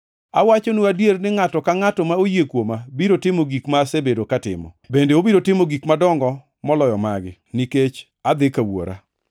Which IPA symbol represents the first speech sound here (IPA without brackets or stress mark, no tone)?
a